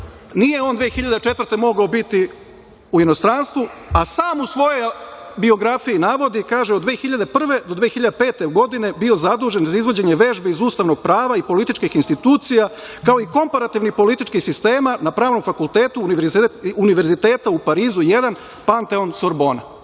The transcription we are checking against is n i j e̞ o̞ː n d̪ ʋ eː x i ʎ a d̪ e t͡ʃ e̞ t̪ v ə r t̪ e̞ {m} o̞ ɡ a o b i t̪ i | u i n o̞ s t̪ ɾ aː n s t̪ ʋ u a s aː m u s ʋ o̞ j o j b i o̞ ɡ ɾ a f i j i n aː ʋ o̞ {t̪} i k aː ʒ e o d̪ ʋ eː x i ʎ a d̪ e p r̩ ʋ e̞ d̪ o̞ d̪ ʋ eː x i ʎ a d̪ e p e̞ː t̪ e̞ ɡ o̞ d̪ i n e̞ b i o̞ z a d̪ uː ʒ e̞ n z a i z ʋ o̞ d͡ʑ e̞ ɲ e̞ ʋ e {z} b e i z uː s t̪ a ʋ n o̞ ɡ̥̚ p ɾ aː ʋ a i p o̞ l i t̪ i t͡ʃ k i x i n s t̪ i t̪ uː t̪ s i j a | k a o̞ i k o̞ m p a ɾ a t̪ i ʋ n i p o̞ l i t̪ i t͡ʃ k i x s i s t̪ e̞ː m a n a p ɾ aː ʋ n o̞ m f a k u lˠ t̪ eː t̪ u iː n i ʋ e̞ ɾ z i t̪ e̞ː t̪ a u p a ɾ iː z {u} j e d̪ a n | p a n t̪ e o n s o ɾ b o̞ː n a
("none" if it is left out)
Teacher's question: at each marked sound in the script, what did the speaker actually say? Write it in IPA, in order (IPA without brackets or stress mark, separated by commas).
m, d̪, ʒ, u